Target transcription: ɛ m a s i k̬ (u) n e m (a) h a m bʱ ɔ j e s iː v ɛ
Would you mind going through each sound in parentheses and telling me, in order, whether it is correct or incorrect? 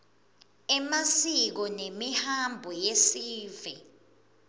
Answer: incorrect, incorrect

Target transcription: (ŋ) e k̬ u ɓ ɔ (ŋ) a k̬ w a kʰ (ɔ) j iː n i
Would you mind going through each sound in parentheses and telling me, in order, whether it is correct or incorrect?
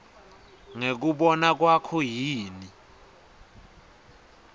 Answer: correct, incorrect, correct

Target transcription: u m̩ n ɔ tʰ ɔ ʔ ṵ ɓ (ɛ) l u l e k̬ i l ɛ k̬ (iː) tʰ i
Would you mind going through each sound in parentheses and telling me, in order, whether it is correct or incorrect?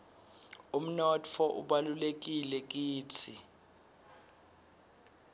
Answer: incorrect, correct

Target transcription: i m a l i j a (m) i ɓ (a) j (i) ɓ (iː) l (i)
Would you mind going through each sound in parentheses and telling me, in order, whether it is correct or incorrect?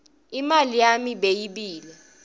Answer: correct, incorrect, correct, correct, incorrect

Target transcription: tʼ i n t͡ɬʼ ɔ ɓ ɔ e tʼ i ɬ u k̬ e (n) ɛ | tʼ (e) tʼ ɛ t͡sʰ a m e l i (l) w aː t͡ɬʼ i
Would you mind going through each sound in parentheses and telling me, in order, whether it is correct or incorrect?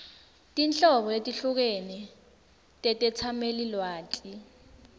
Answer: correct, incorrect, correct

